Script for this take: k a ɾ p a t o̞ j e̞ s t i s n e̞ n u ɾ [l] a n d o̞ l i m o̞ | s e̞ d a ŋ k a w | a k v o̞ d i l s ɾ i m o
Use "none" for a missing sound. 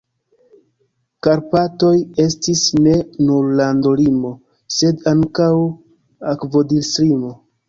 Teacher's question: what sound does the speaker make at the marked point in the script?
l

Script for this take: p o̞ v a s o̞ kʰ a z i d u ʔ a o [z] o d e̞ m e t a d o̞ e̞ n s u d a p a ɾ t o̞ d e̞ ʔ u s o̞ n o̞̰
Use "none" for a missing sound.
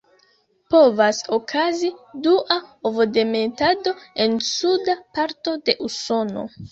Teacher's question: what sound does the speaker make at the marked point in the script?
v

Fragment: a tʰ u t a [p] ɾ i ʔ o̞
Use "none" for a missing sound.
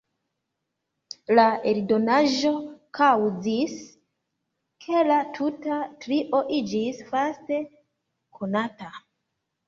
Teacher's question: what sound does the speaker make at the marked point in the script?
t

